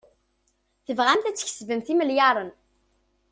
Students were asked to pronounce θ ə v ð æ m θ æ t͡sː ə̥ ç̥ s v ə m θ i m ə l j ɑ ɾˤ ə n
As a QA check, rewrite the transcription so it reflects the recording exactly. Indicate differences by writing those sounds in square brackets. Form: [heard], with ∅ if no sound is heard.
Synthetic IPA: θ ə v [ʁ] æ m θ æ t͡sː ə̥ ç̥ s v ə m θ i m ə l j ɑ ɾˤ ə n